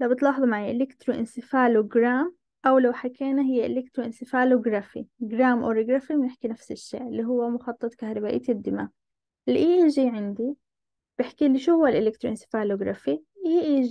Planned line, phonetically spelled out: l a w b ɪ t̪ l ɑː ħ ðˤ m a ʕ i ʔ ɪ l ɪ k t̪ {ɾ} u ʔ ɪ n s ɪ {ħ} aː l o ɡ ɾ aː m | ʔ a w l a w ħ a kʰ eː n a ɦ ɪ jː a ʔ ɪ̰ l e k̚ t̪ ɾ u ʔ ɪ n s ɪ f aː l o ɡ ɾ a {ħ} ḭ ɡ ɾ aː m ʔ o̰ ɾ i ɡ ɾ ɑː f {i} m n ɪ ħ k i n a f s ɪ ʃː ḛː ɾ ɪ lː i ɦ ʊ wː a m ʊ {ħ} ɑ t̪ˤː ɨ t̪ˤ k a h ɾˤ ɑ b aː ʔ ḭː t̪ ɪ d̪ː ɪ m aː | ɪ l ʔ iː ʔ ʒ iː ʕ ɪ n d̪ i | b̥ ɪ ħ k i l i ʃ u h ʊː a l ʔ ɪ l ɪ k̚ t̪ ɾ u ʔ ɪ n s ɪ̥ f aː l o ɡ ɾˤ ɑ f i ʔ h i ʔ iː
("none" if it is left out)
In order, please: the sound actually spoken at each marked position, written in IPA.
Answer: ɾ, f, f, i, x

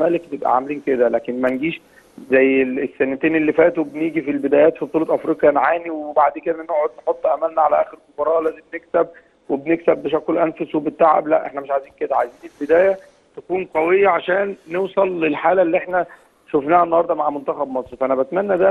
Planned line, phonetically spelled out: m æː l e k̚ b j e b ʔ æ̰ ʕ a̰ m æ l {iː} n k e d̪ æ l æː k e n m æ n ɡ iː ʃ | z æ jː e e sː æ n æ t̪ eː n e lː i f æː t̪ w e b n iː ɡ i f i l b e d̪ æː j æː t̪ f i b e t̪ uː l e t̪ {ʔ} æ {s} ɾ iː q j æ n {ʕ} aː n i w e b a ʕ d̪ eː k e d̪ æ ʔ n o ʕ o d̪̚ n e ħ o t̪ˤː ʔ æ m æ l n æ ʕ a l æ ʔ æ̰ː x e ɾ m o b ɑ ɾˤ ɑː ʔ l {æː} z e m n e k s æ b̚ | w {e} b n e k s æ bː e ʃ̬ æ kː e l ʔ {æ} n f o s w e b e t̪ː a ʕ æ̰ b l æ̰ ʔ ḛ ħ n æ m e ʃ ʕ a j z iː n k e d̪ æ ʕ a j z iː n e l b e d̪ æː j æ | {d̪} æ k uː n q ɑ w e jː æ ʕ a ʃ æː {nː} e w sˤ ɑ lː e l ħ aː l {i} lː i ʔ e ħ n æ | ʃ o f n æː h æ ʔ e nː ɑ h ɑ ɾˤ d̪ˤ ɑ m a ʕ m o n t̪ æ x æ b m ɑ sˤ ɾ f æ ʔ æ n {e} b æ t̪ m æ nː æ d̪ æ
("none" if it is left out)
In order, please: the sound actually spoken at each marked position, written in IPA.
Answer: iː, ʔ, f, ʕ, æː, e, æ, t̪, nː, æ, æ

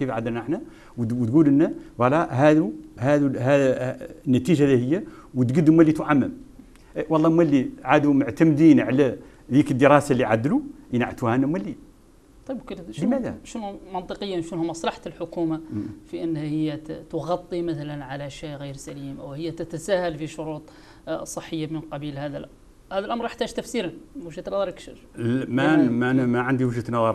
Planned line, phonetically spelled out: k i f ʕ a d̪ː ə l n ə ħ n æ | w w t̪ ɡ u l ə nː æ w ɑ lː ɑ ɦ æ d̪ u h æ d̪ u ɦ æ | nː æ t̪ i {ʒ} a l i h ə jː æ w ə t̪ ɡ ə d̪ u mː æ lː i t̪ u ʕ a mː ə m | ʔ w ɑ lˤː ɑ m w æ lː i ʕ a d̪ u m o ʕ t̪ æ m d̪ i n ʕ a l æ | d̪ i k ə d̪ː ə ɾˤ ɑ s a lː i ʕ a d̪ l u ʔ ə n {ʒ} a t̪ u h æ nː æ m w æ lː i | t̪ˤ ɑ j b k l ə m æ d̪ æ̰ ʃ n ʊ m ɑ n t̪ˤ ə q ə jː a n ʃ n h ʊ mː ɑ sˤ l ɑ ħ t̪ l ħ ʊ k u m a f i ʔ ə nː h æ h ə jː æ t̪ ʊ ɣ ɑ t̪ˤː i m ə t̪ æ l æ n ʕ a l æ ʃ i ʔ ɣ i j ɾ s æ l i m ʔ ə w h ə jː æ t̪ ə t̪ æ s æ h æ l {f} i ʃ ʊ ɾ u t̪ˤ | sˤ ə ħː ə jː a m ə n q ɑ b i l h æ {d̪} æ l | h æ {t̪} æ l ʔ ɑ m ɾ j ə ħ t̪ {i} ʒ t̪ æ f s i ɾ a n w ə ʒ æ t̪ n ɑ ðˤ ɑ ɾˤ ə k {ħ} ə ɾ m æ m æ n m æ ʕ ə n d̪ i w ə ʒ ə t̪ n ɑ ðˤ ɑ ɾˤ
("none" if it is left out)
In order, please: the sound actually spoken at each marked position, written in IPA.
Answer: ʒ, ʕ, f, d̪, d̪, æ, ʃ

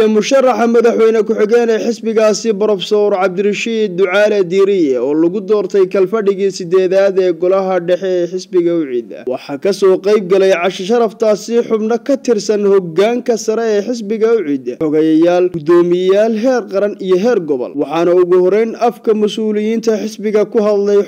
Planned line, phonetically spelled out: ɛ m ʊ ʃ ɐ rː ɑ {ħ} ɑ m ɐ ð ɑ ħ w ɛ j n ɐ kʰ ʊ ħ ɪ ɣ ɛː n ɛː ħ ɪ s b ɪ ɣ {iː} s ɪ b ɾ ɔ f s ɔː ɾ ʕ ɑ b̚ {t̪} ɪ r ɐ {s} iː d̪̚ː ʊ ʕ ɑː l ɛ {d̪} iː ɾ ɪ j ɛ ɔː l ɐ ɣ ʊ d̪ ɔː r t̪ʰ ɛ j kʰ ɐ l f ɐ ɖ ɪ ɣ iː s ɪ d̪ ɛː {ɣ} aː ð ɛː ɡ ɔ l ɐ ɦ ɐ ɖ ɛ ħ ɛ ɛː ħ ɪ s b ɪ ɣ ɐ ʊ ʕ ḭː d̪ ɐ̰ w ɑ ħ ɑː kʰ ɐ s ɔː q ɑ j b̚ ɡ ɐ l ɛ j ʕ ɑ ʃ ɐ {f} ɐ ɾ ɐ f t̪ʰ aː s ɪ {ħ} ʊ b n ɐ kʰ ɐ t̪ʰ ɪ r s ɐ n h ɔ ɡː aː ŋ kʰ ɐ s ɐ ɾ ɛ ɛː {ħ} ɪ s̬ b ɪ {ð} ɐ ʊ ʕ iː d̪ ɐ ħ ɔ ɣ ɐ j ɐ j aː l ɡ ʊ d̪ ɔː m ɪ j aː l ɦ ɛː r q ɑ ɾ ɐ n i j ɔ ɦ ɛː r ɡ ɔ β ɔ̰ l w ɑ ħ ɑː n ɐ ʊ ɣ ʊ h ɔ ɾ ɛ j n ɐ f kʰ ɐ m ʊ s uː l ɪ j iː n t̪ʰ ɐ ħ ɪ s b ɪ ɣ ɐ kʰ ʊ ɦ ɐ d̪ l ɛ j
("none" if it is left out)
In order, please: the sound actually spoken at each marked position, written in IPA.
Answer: ħ, aː, d̪, ʃ, d̪, ð, ʃ, ħ, ħ, ɣ

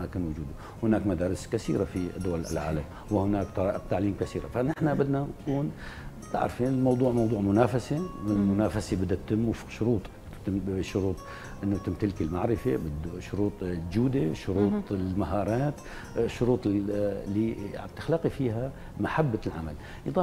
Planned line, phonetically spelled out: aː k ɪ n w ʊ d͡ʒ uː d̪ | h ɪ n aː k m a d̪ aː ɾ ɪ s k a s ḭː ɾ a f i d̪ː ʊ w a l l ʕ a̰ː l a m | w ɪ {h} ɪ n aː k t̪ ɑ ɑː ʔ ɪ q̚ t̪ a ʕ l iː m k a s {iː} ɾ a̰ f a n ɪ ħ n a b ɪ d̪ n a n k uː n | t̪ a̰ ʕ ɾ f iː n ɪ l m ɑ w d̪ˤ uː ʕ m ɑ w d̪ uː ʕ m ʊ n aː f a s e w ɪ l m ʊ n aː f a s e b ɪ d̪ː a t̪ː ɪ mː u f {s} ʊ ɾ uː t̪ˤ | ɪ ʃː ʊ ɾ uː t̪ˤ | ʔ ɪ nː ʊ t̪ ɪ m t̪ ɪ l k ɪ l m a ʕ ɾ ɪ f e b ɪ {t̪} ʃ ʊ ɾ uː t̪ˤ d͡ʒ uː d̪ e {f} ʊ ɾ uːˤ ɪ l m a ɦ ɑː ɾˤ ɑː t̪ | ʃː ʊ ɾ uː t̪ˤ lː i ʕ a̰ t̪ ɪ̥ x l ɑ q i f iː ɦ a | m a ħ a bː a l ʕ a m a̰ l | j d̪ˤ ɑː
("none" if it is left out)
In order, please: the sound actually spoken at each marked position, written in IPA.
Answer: h, iː, ʃ, d̪, ʃ

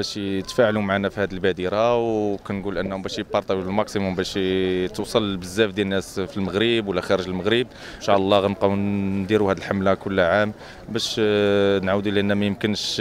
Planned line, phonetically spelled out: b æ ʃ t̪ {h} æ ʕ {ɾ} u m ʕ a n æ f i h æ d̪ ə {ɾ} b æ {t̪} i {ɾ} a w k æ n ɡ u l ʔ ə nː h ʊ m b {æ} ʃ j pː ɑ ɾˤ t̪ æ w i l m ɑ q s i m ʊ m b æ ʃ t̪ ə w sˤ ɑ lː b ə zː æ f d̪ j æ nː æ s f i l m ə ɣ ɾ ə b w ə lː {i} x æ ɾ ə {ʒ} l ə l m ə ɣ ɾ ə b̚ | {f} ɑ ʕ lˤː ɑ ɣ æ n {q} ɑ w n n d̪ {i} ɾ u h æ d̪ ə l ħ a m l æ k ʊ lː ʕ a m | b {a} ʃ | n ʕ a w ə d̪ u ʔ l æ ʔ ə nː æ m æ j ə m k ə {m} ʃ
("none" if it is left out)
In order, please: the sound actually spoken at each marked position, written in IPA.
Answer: f, l, l, d̪, ɾ, æ, æ, ʒ, ʃ, q, i, æ, n

